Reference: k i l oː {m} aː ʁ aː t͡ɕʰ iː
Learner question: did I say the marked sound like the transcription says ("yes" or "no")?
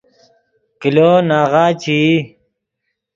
no